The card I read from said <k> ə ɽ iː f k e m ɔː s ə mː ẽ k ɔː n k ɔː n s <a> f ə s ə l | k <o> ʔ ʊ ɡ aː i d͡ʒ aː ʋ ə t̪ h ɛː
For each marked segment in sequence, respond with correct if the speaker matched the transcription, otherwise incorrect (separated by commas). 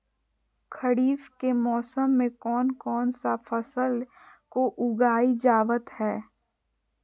incorrect, correct, correct